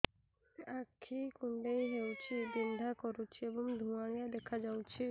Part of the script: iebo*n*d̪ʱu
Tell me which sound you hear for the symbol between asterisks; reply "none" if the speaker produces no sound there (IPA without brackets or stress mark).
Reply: ŋ